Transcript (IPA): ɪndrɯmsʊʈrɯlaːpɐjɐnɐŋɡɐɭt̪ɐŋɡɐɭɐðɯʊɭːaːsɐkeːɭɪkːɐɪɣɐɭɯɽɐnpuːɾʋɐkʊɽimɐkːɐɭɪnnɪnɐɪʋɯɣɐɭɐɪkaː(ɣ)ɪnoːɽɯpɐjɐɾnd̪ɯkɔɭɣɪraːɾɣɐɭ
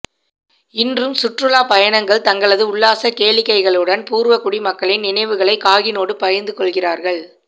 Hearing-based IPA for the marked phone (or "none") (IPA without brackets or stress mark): ɣ